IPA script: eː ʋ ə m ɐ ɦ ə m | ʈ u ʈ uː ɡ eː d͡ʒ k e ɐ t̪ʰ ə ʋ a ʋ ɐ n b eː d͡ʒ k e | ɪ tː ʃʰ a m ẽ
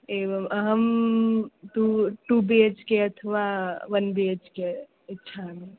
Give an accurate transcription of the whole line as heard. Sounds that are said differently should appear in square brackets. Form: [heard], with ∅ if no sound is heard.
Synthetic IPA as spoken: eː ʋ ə m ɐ ɦ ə m | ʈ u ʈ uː [b] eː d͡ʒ k e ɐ t̪ʰ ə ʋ a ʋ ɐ n b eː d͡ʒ k e | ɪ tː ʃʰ a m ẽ